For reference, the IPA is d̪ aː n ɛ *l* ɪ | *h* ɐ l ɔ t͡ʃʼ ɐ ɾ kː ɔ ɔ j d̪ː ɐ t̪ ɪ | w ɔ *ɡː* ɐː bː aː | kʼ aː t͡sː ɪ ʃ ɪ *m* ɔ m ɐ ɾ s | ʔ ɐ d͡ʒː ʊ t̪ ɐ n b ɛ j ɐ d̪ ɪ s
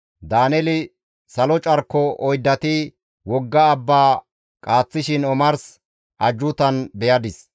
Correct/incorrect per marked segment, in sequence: correct, incorrect: s, correct, incorrect: n

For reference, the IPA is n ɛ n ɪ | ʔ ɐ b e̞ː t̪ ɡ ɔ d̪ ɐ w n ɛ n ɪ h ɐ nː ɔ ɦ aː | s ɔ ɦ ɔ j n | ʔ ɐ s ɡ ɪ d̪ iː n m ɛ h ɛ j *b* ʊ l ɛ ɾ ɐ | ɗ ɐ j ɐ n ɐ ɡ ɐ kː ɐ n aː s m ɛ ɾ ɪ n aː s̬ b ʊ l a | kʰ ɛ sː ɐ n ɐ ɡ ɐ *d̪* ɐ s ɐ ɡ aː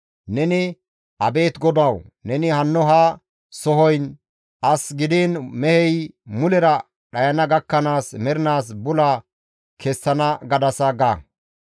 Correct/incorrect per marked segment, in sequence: incorrect: m, correct

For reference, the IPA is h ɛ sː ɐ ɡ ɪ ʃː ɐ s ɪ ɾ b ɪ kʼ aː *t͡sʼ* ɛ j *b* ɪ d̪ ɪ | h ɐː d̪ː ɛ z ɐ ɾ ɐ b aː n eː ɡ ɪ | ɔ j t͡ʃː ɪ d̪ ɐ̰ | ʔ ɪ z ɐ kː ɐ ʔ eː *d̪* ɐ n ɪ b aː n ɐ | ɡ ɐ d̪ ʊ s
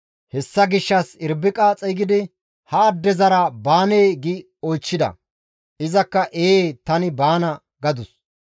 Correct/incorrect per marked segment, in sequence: correct, incorrect: ɡ, incorrect: t̪

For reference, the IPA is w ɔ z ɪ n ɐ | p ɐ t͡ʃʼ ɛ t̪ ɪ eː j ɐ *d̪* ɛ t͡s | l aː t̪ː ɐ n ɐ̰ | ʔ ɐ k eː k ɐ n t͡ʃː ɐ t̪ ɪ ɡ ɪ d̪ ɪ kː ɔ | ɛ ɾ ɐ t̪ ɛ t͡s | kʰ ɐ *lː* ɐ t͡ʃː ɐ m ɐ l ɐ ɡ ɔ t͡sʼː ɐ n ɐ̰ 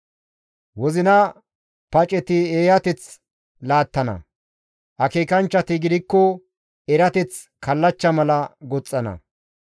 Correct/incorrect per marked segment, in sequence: incorrect: t̪, correct

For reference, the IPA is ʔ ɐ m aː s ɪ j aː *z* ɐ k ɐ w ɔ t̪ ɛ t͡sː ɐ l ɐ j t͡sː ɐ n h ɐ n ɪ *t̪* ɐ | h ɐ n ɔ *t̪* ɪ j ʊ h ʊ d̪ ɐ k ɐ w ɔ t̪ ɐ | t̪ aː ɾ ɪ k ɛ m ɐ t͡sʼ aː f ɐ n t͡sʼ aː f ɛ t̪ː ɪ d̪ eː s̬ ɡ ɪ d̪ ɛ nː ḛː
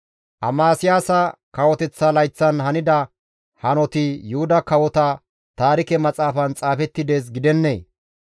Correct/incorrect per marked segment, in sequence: incorrect: s, incorrect: d̪, correct

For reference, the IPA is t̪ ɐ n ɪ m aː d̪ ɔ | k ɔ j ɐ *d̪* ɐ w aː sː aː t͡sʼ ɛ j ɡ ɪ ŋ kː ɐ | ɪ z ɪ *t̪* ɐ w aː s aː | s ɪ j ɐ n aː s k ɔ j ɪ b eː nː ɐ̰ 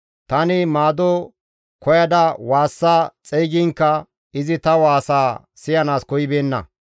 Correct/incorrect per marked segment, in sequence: correct, correct

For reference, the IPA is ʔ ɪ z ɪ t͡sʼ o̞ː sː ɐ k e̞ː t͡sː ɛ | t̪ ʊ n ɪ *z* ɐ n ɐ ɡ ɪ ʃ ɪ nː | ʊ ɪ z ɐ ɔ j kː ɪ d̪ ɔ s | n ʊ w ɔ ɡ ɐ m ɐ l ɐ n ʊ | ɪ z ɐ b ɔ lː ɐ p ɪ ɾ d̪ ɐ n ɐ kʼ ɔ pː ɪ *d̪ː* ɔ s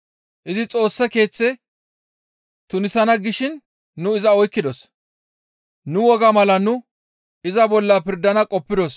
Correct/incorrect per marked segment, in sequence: incorrect: s, incorrect: d̪

